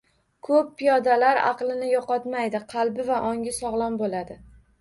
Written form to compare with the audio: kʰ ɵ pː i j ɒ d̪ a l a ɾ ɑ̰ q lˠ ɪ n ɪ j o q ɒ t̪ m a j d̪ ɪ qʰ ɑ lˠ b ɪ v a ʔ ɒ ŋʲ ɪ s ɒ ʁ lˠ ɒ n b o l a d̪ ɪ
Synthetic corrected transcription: kʰ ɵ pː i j ɒ d̪ a l a ɾ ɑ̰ q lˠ ɪ n ɪ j ɒ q ɒ t̪ m a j d̪ ɪ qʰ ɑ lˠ b ɪ v a ʔ ɒ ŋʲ ɪ s ɒ ʁ lˠ ɒ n b o l a d̪ ɪ

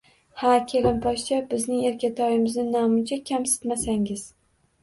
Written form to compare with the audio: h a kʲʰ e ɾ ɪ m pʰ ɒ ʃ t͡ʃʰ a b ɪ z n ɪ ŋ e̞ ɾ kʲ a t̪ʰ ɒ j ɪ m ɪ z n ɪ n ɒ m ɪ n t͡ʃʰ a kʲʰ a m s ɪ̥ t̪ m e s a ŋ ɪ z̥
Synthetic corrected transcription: h a kʲʰ e l ɪ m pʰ ɒ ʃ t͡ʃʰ a b ɪ z n ɪ ŋ e̞ ɾ kʲ a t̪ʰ ɒ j ɪ m ɪ z n ɪ n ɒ m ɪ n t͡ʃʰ a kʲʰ a m s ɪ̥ t̪ m a s a ŋ ɪ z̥

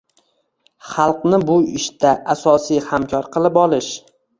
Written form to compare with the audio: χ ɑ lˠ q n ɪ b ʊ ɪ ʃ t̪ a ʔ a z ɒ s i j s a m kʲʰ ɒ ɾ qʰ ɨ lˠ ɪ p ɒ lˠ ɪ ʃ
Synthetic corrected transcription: χ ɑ lˠ q n ɪ b ʊ ɪ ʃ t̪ a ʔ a s ɒ s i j h a m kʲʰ ɒ ɾ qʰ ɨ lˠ ɪ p ɒ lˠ ɪ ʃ

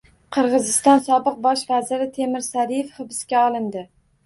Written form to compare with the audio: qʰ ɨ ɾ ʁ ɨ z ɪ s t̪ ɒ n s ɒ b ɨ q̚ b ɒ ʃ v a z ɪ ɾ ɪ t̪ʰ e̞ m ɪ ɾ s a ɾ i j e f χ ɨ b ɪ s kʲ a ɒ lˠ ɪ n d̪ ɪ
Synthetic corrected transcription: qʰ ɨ ɾ ʁ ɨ z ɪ s t̪ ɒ n s ɒ b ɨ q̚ b ɒ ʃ v a z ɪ ɾ ɪ t̪ʰ e̞ m ɪ ɾ s a ɾ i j e f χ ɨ b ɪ s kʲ a ɒ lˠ ɪ n d̪ ɪ

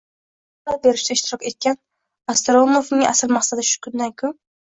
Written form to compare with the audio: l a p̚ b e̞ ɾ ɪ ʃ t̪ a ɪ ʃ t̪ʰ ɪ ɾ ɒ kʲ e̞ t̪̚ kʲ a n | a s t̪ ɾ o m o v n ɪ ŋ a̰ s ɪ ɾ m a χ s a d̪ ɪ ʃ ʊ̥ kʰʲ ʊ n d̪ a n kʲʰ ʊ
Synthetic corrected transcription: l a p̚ b e̞ ɾ ɪ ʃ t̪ a ɪ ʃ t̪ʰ ɪ ɾ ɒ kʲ e̞ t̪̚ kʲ a n | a s t̪ ɾ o m o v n ɪ ŋ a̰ s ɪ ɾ m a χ s a d̪ ɪ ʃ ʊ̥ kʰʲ ʊ n d̪ a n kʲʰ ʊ

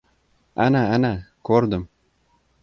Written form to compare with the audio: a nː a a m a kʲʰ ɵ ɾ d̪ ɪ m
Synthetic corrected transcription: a n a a n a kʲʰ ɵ ɾ d̪ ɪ m

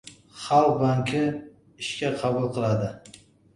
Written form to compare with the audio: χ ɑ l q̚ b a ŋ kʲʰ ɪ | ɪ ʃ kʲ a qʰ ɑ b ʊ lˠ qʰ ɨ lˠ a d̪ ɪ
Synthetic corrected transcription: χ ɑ l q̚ b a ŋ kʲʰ ɪ | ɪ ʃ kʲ a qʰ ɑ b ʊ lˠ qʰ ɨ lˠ a d̪ ɪ

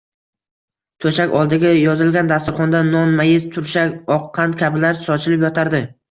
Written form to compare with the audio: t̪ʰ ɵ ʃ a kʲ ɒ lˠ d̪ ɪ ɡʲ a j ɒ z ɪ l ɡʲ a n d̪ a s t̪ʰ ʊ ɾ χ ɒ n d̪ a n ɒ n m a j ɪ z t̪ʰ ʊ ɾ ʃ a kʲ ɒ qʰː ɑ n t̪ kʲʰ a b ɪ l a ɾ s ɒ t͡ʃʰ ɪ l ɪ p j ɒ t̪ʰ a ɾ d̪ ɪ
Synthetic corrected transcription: t̪ʰ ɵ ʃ a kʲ ɒ lˠ d̪ ɪ ɡʲ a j ɒ z ɪ l ɡʲ a n d̪ a s t̪ ʊ ɾ χ ɒ n d̪ a n ɒ n m a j ɪ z t̪ʰ ʊ ɾ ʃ a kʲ ɒ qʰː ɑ n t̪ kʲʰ a b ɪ l a ɾ s ɒ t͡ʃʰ ɪ l ɪ p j ɒ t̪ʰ a ɾ d̪ ɪ

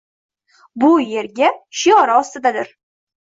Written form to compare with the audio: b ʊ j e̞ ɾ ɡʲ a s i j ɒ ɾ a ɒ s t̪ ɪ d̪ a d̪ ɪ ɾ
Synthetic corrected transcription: b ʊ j e̞ ɾ ɡʲ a ʃ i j ɒ ɾ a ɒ s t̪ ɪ d̪ a d̪ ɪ ɾ

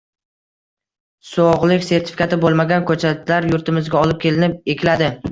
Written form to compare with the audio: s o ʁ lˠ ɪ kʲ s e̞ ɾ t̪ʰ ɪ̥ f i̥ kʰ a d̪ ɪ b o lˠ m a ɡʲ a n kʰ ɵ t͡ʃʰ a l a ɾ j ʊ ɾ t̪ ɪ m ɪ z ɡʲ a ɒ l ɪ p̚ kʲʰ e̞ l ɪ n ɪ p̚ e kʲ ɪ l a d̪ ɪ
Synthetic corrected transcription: s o ʁ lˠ ɪ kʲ s e̞ ɾ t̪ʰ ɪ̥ f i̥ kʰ a t̪ ɪ b o lˠ m a ɡʲ a n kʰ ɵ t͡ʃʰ a l a ɾ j ʊ ɾ t̪ ɪ m ɪ z ɡʲ a ɒ l ɪ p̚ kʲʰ e̞ l ɪ n ɪ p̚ e kʲ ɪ l a d̪ ɪ

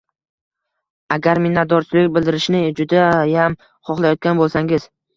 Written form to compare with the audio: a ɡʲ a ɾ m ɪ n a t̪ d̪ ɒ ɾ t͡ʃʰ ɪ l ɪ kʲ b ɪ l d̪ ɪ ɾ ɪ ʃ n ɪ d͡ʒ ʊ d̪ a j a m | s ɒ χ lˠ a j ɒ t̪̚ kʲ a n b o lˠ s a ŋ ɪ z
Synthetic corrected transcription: a ɡʲ a ɾ m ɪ n a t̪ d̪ ɒ ɾ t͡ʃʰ ɪ l ɪ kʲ b ɪ l d̪ ɪ ɾ ɪ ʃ n ɪ d͡ʒ ʊ d̪ a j a m | χ ɒ χ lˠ a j ɒ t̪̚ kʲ a n b o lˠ s a ŋ ɪ z

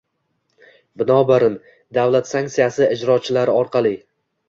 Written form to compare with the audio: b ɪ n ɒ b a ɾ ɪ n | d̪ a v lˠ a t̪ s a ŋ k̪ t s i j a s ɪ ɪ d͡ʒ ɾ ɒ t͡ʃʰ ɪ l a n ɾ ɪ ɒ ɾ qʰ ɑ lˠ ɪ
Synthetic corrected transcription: b ɪ n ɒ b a ɾ ɪ n | d̪ a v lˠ a t̪ s a ŋ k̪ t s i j a s ɪ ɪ d͡ʒ ɾ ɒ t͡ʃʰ ɪ l a ɾ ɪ ɒ ɾ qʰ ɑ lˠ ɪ

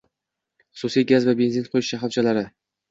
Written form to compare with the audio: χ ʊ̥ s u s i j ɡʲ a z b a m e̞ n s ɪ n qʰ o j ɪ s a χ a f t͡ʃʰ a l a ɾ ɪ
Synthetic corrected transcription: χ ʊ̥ s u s i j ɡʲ a z v a b e̞ n z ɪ n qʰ o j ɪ ʃ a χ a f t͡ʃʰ a l a ɾ ɪ

